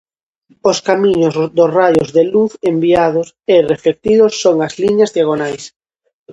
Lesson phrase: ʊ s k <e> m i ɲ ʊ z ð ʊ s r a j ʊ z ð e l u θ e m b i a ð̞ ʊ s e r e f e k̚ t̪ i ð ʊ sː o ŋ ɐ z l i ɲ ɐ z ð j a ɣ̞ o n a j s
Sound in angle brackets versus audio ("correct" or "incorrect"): incorrect